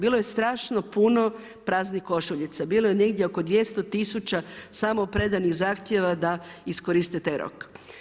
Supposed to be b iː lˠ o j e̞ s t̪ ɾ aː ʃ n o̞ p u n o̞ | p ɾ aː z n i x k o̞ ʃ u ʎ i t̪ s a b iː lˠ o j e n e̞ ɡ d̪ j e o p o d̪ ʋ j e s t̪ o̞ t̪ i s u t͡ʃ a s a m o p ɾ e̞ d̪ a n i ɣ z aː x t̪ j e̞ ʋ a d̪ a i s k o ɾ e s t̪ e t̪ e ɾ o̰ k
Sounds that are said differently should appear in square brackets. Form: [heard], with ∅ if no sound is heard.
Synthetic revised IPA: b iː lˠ o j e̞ s t̪ ɾ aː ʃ n o̞ p u n o̞ | p ɾ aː z n i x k o̞ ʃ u ʎ i t̪ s a b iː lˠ o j e n e̞ ɡ d̪ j e o [k] o d̪ ʋ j e s t̪ o̞ t̪ i s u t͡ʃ a s a m o p ɾ e̞ d̪ a n i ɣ z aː x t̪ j e̞ ʋ a d̪ a i s k o ɾ [i] s t̪ e t̪ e ɾ o̰ k